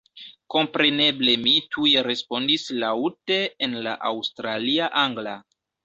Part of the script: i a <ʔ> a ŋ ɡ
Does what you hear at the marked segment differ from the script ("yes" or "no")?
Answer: no